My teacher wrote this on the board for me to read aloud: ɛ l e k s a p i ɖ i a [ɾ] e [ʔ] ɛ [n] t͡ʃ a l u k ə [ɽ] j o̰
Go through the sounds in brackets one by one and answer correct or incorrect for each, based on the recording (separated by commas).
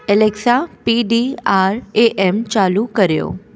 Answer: correct, correct, incorrect, incorrect